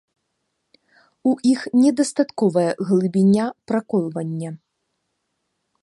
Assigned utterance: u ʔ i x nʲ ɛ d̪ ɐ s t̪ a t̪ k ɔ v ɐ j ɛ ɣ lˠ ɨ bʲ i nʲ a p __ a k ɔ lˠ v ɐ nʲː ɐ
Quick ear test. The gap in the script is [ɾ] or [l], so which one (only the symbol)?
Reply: ɾ